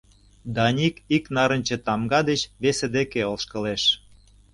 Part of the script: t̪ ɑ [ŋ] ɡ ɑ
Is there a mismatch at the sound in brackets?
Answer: yes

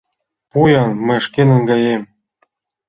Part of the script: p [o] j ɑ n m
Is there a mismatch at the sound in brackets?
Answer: yes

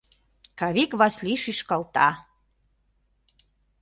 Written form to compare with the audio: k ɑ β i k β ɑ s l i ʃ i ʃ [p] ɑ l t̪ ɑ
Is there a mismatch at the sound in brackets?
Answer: yes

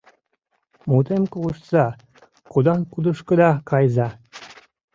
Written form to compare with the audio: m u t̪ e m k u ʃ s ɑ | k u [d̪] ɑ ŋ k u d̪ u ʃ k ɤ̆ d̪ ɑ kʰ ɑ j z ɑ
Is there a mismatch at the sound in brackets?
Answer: no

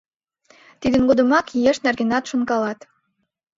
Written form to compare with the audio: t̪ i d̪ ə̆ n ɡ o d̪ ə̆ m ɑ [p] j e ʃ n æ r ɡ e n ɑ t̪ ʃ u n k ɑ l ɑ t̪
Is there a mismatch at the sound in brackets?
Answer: yes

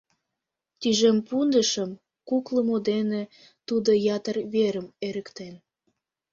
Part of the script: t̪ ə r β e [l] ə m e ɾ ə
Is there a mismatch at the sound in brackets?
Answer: yes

